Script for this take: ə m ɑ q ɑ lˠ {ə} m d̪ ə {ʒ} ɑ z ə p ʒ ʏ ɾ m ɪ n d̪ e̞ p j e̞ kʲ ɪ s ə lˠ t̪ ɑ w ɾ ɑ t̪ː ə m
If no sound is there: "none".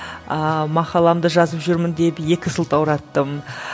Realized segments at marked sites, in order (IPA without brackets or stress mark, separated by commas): ɑ, ʒ